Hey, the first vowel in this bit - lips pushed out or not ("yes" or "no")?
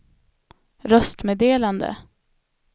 yes